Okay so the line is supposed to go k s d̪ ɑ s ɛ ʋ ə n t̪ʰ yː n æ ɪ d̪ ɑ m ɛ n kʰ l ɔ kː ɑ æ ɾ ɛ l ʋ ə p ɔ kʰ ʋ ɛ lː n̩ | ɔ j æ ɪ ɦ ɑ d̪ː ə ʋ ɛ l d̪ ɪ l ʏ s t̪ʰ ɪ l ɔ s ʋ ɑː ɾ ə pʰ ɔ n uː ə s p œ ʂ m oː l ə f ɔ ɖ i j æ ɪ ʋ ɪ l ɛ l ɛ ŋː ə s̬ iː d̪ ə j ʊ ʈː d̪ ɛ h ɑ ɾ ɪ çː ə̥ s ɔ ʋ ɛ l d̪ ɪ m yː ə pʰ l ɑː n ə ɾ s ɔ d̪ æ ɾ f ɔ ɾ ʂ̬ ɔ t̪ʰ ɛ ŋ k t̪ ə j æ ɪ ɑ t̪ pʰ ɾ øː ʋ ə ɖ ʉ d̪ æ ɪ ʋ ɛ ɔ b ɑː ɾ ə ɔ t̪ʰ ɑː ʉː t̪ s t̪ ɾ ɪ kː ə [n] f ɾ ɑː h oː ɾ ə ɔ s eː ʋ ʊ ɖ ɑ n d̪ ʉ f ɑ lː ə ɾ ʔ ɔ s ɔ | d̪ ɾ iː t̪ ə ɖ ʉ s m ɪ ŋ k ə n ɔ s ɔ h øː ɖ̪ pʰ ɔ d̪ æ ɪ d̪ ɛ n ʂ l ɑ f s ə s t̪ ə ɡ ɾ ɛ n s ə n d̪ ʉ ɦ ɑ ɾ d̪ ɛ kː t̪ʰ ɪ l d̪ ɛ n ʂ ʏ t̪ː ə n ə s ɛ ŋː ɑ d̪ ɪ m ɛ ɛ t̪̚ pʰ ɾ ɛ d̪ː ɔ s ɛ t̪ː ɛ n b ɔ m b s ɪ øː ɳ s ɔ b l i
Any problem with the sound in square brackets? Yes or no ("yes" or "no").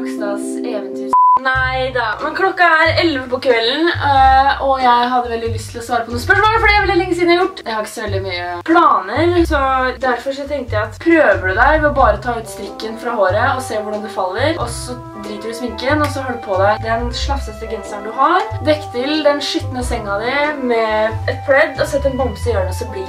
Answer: no